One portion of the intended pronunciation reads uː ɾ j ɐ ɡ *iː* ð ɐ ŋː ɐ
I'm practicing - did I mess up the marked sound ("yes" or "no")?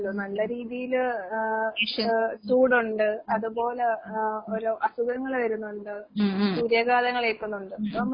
yes